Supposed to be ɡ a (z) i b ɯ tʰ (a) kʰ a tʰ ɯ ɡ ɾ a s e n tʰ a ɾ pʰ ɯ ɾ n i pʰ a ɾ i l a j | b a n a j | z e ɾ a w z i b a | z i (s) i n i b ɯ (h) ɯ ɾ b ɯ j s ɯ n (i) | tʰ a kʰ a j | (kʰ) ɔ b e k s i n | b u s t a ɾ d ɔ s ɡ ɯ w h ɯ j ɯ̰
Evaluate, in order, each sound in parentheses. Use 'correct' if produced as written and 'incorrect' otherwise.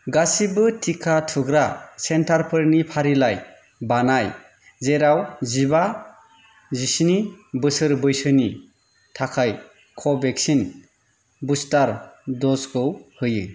incorrect: s, incorrect: i, correct, incorrect: s, correct, correct

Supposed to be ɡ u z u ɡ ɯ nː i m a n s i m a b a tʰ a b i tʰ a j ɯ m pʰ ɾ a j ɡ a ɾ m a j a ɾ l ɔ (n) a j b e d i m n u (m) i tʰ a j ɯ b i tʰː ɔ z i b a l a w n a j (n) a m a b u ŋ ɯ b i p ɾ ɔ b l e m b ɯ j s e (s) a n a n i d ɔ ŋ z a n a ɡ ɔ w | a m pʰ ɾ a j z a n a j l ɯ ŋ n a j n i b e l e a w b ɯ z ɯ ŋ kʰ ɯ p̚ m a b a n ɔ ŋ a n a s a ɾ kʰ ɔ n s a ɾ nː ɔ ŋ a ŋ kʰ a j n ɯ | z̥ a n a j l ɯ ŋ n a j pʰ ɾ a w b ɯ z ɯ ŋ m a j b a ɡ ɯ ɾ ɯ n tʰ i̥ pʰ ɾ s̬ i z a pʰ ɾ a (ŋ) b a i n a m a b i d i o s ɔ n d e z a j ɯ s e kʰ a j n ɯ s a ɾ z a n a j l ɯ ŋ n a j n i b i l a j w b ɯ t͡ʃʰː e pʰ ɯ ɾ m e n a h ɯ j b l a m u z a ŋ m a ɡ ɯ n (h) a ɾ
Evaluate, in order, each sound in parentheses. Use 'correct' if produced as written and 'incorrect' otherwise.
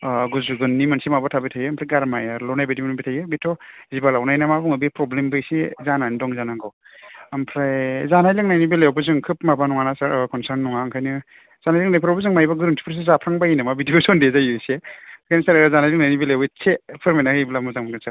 correct, incorrect: b, correct, incorrect: z, correct, incorrect: s

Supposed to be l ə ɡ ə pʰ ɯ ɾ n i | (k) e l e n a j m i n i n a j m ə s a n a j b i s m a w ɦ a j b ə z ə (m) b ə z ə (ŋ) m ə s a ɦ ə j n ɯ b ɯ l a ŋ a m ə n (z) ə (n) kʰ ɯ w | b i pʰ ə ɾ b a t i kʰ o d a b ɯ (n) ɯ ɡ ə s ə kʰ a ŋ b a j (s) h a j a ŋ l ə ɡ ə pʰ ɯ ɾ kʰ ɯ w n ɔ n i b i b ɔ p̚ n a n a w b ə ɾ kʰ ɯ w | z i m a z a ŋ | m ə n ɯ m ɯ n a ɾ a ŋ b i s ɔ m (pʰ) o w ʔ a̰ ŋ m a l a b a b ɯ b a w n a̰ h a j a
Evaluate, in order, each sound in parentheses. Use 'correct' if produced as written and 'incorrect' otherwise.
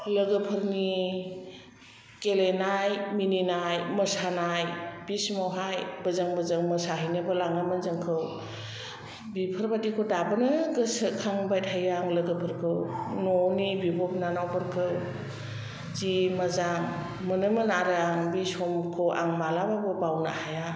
correct, incorrect: ŋ, correct, correct, incorrect: ŋ, correct, incorrect: t, incorrect: kʰ

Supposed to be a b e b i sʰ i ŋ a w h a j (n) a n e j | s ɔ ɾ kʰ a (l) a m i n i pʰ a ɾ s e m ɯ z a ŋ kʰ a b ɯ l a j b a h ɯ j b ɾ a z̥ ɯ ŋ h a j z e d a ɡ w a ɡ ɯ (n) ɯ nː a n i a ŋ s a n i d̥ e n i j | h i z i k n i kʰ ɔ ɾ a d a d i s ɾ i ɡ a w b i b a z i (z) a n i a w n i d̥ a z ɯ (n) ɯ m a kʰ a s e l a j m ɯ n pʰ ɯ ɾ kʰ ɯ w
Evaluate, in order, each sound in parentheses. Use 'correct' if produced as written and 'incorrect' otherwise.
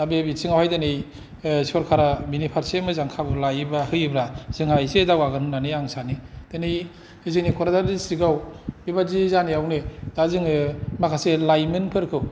incorrect: d, incorrect: ɾ, correct, correct, incorrect: ŋ

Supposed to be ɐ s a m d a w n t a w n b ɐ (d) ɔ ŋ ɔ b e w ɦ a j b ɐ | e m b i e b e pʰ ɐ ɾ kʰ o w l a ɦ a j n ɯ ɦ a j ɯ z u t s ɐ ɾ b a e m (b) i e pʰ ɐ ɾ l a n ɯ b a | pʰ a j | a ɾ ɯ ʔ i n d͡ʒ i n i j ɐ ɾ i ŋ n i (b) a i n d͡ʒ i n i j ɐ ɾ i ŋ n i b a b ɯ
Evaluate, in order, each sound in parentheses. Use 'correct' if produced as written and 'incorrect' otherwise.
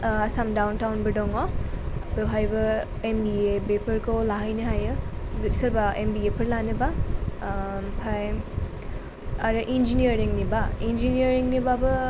correct, correct, correct

